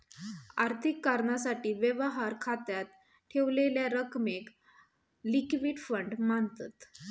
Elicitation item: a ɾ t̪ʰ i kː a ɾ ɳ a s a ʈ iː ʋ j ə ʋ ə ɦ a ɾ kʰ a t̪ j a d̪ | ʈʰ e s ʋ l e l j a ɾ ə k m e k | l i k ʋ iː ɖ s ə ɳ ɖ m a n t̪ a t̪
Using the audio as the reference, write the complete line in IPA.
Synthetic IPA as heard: a ɾ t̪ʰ i kː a ɾ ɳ a s a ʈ iː ʋ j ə ʋ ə ɦ a ɾ kʰ a t̪ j a t̪ | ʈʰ e ʋ l e l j a ɾ ə k m e k | l i k ʋ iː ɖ f ə ɳ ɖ m a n t̪ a t̪